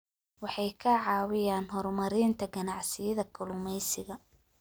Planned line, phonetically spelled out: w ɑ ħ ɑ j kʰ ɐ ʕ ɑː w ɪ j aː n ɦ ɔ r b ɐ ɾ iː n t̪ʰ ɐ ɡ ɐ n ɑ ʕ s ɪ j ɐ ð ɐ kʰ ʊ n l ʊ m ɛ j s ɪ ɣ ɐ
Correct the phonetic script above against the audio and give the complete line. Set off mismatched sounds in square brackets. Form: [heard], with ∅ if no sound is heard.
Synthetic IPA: w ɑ ħ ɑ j kʰ ɐ ʕ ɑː w ɪ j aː n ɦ ɔ r [m] ɐ ɾ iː n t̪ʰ ɐ ɡ ɐ n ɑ ʕ s ɪ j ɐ ð ɐ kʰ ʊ [∅] l ʊ m ɛ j s ɪ ɣ ɐ